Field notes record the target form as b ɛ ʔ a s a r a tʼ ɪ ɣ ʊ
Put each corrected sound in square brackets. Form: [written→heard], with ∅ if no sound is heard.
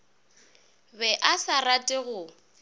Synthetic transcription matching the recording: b ɛ ʔ a s a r a tʼ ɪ ɣ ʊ